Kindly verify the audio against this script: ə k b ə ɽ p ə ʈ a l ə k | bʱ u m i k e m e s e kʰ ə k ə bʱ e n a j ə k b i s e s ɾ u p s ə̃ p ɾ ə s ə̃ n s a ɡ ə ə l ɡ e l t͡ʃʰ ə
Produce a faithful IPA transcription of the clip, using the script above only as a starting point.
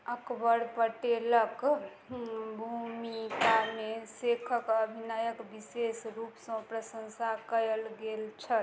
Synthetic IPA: ə k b ə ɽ p ə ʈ e l ə k | bʱ u m i k a m e s e kʰ ə k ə bʱ i n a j ə k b i s e s ɾ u p s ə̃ p ɾ ə s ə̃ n s a k ə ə l ɡ e l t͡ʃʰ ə